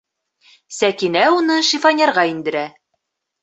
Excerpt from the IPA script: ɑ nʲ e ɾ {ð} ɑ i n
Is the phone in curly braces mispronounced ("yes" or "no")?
yes